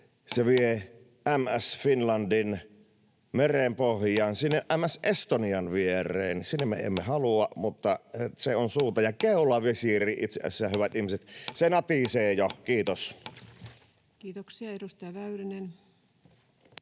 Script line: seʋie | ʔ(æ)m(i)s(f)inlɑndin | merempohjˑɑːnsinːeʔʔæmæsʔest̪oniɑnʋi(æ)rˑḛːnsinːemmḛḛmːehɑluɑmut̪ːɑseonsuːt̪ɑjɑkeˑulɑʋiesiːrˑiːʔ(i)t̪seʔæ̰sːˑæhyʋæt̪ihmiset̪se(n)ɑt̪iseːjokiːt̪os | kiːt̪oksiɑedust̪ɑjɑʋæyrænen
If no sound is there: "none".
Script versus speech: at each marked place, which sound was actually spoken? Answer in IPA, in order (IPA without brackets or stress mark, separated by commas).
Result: æ, æ, f, e, i, n